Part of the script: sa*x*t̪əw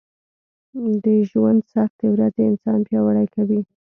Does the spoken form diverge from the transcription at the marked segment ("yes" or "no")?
no